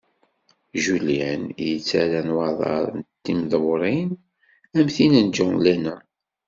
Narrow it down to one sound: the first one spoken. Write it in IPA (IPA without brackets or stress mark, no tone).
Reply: ʒ